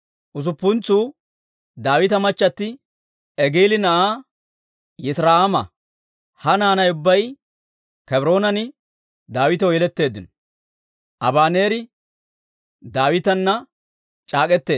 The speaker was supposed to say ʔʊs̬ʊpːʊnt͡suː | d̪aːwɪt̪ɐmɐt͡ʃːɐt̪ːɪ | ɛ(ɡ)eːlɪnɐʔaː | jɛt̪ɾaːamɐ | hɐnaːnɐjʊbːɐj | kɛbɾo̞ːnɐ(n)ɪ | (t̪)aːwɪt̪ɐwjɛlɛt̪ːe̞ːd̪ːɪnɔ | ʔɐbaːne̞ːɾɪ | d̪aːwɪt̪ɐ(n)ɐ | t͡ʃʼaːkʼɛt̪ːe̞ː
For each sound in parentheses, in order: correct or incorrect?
correct, correct, incorrect: d̪, incorrect: nː

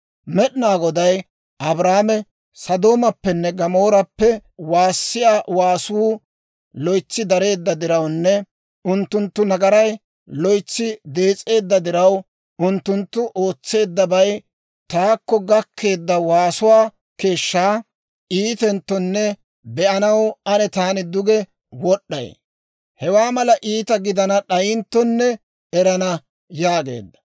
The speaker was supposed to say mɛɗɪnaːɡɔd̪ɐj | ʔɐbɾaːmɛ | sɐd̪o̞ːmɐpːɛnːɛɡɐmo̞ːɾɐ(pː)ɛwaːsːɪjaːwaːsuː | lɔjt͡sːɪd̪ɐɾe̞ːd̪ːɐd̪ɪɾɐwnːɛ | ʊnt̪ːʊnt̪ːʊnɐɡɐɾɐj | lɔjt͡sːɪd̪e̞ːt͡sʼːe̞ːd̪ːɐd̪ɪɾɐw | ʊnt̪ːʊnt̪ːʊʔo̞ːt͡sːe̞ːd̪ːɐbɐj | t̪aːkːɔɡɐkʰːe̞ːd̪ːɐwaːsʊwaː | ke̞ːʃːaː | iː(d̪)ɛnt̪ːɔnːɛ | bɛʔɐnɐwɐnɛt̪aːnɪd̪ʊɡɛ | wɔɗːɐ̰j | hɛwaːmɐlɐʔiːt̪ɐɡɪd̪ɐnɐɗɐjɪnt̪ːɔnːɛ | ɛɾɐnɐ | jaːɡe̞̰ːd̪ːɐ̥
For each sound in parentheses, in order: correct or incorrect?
correct, incorrect: t̪

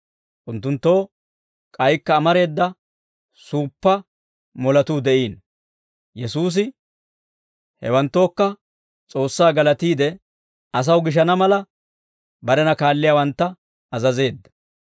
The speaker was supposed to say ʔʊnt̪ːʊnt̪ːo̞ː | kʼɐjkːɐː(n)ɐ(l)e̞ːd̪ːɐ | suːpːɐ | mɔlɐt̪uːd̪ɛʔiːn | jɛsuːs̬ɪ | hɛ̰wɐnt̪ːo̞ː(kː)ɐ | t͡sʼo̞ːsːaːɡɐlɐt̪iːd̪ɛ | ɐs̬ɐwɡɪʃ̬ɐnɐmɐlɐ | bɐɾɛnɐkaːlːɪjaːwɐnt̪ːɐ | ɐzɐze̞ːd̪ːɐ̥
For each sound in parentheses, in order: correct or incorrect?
incorrect: m, incorrect: ɾ, correct

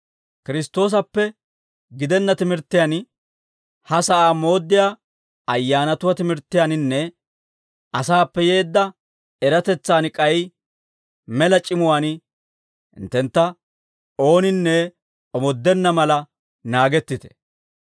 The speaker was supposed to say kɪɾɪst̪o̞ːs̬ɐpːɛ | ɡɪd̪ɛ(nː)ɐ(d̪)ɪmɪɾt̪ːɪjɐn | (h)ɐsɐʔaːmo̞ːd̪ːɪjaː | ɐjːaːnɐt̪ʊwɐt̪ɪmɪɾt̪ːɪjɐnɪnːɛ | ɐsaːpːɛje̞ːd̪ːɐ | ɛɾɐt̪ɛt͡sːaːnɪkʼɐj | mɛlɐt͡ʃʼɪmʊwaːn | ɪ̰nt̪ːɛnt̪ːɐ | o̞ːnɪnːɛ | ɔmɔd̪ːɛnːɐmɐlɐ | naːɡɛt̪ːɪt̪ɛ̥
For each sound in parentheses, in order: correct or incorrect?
correct, incorrect: t̪, correct

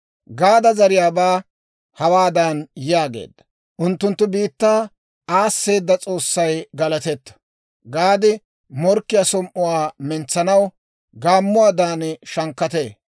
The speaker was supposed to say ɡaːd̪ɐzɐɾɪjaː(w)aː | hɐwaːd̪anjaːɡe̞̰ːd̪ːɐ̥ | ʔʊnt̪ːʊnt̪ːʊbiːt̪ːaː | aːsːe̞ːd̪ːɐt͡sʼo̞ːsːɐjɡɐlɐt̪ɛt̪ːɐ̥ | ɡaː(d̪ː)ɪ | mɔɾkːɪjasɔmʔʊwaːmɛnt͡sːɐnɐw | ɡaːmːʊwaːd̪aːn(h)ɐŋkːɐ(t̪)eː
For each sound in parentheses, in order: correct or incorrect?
incorrect: b, incorrect: d̪, incorrect: ʃ, correct

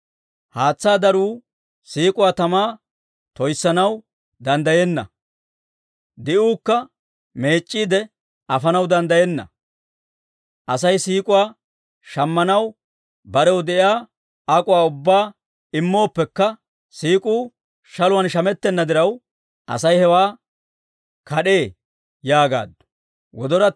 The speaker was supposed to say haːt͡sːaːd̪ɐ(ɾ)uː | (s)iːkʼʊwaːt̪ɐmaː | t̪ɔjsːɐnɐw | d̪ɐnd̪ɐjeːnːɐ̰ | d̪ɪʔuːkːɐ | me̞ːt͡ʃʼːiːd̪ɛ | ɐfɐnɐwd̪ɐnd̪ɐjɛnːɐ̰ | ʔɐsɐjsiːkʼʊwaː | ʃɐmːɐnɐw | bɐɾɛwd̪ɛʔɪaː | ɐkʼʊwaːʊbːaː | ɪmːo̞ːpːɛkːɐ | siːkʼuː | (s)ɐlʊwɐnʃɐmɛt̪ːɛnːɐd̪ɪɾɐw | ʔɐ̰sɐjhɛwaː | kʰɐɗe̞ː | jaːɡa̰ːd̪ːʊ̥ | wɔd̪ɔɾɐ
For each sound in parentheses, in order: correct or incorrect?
correct, correct, incorrect: ʃ

